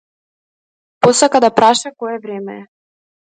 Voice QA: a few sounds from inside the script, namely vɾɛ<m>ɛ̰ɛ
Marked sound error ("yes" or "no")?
no